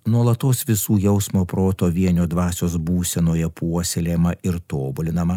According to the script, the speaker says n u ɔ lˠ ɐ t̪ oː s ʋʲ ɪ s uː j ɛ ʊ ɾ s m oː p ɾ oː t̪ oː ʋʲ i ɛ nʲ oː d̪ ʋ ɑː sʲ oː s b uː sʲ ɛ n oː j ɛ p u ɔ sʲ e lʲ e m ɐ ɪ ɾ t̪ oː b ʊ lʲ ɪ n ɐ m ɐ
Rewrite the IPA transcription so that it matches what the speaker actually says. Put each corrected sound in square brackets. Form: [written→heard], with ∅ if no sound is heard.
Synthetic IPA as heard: n u ɔ lˠ ɐ t̪ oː s ʋʲ ɪ s uː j ɛ ʊ [ɾ→∅] s m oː p ɾ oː t̪ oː ʋʲ i ɛ nʲ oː d̪ ʋ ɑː sʲ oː s b uː sʲ ɛ n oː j ɛ p u ɔ sʲ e lʲ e m ɐ ɪ ɾ t̪ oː b ʊ lʲ ɪ n ɐ m ɐ